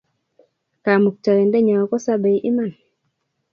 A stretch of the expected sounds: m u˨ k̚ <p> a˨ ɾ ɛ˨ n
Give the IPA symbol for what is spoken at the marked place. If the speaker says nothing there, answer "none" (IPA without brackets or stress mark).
t